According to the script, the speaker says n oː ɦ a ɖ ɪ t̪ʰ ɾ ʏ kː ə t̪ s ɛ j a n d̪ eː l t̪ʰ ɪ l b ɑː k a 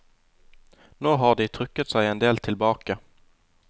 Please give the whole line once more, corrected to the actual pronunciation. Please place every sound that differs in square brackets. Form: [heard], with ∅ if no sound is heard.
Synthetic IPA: n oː ɦ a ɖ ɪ t̪ʰ ɾ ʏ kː ə t̪ s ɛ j [ɛ] n d̪ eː l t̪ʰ ɪ l b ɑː k a